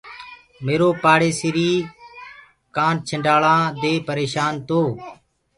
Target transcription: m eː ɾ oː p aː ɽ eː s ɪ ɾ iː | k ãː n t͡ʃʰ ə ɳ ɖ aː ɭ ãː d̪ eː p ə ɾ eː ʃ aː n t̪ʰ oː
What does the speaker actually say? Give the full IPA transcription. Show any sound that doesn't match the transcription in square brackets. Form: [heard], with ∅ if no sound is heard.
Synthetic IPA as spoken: m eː ɾ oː p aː ɽ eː s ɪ ɾ iː | k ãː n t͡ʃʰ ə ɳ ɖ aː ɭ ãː d̪ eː p ə ɾ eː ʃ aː n [t̪] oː